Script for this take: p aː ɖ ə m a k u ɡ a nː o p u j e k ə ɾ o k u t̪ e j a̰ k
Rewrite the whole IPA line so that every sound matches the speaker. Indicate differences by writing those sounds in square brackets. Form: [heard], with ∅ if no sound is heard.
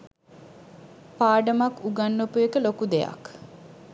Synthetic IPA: p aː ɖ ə m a k u ɡ a nː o p u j e k ə [l] o k u [d̪] e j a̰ k